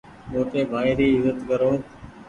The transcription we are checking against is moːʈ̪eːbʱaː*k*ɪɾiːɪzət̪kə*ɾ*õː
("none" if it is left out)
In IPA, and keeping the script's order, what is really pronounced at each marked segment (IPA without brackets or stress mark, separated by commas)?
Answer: none, ɾ